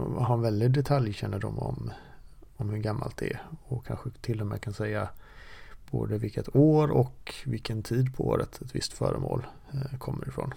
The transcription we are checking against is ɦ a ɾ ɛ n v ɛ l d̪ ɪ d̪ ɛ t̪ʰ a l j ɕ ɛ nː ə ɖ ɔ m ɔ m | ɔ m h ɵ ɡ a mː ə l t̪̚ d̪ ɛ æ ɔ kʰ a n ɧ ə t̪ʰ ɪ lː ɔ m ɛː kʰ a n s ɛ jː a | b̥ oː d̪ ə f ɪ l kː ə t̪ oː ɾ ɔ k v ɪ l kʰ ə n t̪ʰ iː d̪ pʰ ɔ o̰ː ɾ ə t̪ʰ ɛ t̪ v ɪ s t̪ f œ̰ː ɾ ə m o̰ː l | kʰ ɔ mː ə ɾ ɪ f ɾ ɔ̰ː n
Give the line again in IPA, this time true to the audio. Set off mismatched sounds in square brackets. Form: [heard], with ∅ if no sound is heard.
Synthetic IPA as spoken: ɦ a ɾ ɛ n v ɛ l d̪ ɪ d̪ ɛ t̪ʰ a l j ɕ ɛ nː ə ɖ ɔ m ɔ m | ɔ m h ɵ ɡ a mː [a] l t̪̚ d̪ ɛ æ ɔ kʰ a n ɧ ə t̪ʰ ɪ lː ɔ m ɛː kʰ a n s ɛ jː a | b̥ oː d̪ ə [v] ɪ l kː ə t̪ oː ɾ ɔ k v ɪ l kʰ ə n t̪ʰ iː d̪ pʰ ɔ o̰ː ɾ ə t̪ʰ ɛ t̪ v ɪ s t̪ f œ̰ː ɾ ə m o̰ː l | kʰ ɔ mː ə ɾ ɪ f ɾ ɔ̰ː n